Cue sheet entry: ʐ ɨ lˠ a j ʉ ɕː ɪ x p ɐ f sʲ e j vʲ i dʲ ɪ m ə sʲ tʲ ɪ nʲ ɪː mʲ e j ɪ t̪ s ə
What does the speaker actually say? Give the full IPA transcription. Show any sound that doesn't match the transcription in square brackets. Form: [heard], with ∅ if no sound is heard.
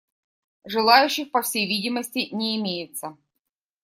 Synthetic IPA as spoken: ʐ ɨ lˠ a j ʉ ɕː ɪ x p ɐ f sʲ e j vʲ i dʲ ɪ m ə sʲ tʲ ɪ nʲ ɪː mʲ e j ɪ t̪ s ə